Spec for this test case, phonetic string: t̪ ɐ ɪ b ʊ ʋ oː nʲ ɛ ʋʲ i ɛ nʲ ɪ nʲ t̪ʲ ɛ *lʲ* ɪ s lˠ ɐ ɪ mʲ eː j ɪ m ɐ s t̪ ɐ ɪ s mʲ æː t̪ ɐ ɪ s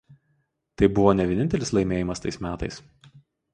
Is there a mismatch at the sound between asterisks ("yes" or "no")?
no